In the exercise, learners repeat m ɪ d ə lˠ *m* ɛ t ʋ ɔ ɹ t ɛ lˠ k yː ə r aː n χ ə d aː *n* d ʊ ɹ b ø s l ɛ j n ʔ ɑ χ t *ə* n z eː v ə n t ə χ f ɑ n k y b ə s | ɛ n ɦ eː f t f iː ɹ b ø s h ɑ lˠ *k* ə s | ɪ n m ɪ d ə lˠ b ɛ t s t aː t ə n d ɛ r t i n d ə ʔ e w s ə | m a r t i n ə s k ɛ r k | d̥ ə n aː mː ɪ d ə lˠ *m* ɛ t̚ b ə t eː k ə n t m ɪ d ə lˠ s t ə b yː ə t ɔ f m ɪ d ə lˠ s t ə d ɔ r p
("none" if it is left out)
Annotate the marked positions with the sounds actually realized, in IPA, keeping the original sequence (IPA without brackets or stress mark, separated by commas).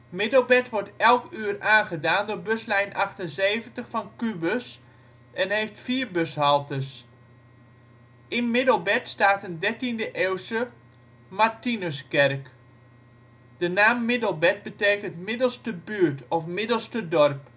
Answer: b, n, ə, t, b